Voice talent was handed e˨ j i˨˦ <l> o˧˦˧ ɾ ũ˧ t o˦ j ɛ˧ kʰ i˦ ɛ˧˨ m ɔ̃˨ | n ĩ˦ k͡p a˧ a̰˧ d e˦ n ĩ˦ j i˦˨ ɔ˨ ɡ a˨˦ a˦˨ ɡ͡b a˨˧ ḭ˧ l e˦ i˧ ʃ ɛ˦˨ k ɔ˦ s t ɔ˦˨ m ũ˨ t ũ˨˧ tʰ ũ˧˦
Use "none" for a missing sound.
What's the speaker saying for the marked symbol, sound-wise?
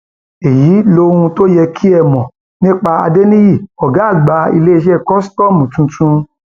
l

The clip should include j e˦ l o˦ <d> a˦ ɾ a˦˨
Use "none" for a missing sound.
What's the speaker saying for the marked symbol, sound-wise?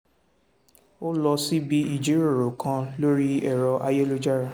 d͡ʒ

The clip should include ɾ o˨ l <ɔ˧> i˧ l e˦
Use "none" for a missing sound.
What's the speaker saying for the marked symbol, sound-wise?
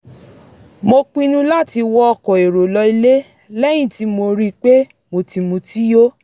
ɔ˧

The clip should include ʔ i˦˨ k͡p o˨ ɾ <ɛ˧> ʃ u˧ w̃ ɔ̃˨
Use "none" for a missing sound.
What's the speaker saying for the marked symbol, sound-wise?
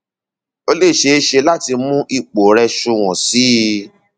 ɛ˧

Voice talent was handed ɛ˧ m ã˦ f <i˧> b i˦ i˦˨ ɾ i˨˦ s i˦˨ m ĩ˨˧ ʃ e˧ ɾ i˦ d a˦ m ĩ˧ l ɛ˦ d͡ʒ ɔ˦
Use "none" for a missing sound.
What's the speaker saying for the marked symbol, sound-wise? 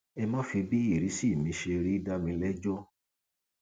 i˧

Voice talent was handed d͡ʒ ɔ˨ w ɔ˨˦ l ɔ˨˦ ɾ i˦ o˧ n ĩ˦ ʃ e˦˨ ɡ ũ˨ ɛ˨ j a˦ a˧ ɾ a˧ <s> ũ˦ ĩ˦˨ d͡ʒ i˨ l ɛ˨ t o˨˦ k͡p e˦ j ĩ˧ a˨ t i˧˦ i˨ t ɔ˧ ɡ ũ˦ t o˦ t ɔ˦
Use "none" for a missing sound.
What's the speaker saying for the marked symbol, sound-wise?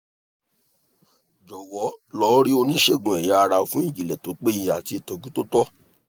f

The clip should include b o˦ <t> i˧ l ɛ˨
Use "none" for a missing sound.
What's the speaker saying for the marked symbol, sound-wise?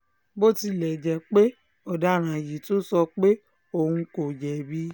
t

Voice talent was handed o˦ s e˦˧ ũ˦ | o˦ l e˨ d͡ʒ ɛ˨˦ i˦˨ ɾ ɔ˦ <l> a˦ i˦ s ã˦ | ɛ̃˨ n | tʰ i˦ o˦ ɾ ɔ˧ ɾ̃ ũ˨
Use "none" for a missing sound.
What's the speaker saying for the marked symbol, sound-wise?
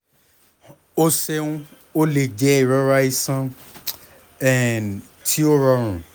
ɾ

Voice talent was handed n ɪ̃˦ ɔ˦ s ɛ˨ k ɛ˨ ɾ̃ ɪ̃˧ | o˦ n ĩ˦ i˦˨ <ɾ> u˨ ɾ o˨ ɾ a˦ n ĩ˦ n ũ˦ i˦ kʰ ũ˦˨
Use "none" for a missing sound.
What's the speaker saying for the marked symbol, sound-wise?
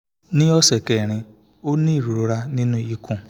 ɾ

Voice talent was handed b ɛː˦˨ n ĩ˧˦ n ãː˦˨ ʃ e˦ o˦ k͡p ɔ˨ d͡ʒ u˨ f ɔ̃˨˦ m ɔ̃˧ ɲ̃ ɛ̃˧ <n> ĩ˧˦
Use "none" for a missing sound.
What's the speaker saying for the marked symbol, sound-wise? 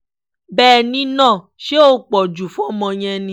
n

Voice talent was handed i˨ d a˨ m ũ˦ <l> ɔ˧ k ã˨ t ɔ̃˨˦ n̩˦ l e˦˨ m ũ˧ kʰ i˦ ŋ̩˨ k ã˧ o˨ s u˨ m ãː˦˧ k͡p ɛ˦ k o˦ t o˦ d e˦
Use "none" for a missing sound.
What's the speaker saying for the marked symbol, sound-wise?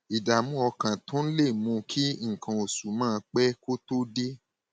none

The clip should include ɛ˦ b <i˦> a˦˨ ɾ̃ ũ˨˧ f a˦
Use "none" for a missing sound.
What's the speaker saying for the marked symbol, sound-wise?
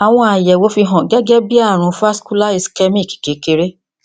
i˦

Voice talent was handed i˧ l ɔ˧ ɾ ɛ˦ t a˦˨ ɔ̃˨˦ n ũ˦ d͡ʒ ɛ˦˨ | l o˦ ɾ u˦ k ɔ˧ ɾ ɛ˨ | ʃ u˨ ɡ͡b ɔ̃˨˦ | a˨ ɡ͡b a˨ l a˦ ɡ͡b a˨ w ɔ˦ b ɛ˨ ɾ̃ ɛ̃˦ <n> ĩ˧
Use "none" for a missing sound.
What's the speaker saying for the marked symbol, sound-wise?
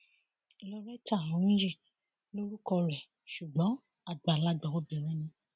n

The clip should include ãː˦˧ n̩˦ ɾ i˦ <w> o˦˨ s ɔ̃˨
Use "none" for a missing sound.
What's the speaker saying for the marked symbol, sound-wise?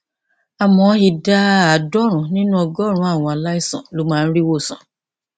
w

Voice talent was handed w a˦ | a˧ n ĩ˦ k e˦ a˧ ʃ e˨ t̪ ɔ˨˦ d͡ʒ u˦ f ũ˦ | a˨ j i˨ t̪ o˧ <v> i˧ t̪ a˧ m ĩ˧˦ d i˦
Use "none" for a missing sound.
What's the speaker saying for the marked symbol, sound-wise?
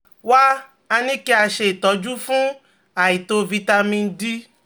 v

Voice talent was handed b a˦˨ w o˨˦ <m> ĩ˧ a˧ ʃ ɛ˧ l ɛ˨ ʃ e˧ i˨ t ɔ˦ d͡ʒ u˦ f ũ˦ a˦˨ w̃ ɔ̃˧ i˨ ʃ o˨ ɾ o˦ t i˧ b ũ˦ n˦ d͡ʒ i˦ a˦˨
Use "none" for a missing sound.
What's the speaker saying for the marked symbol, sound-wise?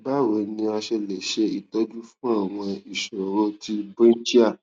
n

